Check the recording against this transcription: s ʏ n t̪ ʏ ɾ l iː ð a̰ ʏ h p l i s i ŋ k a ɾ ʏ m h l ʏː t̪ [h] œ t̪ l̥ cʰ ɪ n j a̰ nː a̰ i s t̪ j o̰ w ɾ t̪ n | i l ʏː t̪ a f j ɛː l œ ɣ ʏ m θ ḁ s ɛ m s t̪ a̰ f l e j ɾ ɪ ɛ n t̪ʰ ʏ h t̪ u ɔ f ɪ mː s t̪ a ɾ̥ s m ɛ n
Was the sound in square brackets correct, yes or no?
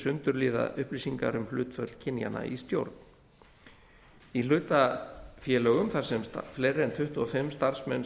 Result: no